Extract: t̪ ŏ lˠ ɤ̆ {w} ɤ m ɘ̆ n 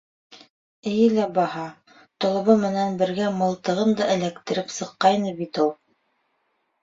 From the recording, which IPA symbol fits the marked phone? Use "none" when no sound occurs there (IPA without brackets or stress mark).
β